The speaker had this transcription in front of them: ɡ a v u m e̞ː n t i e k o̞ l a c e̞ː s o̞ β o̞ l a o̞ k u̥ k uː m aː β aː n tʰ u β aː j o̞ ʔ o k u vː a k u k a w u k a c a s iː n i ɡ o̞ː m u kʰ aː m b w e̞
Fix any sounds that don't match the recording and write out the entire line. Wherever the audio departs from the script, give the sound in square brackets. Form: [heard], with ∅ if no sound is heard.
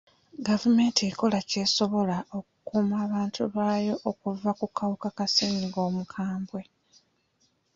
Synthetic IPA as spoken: ɡ a v u m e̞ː n t i e k o̞ l a c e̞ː s o̞ β o̞ l a o̞ k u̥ k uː m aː β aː n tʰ u β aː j o̞ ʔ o k u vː a k u k a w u k a [k] a s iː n i ɡ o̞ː m u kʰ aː m b w e̞